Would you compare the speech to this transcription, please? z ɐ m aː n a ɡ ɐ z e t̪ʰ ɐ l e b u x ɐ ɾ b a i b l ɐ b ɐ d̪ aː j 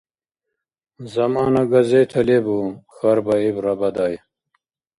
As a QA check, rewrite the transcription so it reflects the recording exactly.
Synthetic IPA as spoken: z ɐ m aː n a ɡ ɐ z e t̪ʰ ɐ l e b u x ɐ ɾ b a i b ɾ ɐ b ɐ d̪ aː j